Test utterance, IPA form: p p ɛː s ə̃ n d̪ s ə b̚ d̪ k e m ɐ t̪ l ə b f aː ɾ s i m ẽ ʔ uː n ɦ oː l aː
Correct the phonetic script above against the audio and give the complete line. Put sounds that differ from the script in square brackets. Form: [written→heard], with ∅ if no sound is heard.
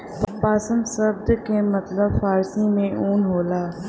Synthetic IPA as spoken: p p [ɛː→aː] s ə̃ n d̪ s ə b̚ d̪ k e m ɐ t̪ l ə b f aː ɾ s i m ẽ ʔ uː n ɦ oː l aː